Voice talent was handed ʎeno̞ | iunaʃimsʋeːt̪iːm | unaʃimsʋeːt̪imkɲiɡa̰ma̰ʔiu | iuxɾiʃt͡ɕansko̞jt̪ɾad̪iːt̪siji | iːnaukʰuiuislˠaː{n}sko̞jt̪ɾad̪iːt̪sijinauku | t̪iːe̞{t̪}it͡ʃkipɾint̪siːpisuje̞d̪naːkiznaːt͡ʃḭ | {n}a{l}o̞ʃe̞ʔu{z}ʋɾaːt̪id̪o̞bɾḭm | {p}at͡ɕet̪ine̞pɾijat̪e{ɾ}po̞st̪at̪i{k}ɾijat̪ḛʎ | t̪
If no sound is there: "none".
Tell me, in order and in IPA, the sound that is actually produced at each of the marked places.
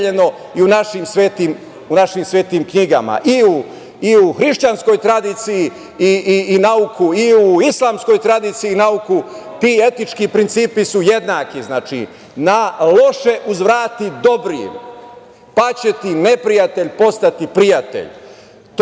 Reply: m, t̪, n, l, z, p, ʎ, p

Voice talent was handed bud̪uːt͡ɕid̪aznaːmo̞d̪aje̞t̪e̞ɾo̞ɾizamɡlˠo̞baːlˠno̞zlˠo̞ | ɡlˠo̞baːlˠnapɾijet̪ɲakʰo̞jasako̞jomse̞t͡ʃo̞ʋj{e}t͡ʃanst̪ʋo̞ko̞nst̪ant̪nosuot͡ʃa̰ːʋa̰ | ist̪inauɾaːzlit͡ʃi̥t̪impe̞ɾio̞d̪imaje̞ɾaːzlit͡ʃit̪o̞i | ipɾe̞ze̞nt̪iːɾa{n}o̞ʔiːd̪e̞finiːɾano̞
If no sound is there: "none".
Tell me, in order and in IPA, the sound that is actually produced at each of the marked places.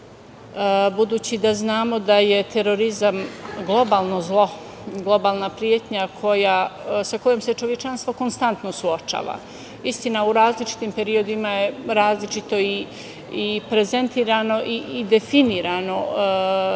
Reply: e, n

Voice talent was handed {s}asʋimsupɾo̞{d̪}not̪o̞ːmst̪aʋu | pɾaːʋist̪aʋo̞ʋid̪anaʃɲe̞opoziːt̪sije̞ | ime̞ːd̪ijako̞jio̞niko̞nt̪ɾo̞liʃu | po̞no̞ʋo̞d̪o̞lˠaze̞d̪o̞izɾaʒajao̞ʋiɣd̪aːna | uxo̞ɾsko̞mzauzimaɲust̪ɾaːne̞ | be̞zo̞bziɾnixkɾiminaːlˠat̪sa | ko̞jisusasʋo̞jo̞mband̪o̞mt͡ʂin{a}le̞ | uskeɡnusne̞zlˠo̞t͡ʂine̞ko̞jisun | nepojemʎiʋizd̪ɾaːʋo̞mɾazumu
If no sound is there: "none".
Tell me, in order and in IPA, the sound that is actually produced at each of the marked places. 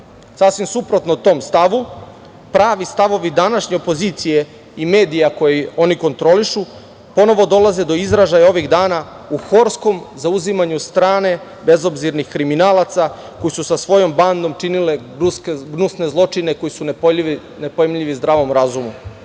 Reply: s, t̪, i

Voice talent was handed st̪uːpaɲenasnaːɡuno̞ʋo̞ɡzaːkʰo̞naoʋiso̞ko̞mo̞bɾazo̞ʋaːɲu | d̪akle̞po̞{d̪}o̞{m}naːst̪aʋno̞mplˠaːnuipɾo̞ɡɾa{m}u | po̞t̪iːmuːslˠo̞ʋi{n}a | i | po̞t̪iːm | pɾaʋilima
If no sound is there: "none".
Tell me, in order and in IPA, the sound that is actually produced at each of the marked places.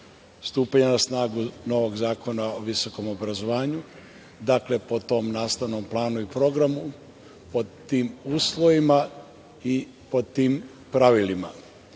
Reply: t̪, m, m, m

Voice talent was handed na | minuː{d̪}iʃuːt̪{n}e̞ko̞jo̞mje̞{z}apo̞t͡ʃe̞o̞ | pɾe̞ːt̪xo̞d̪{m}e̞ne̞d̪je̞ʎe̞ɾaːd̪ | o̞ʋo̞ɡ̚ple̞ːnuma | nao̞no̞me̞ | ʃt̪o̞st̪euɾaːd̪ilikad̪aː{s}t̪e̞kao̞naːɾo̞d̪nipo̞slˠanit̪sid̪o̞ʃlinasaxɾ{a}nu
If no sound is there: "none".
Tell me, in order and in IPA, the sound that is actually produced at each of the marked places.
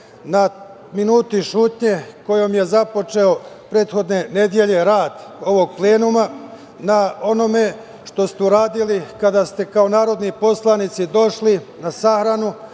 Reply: t̪, ɲ, z, n, s, a

